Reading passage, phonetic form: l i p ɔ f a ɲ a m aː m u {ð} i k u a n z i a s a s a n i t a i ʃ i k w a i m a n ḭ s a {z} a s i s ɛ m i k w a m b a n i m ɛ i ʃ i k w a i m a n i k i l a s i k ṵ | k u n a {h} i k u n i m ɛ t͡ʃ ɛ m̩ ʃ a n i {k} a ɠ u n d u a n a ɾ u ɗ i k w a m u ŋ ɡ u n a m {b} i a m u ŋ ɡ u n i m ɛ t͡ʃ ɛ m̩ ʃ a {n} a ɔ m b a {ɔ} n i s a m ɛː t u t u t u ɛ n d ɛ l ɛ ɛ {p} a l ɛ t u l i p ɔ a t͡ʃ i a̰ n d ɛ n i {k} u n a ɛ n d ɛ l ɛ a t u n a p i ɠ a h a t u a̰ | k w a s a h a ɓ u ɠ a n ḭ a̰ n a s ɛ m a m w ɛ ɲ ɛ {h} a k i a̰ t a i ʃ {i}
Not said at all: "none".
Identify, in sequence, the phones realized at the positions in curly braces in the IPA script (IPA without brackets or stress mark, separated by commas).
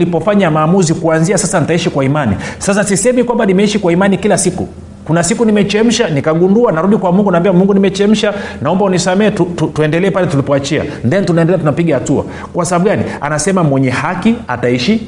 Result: z, s, s, k, b, n, u, p, t, h, i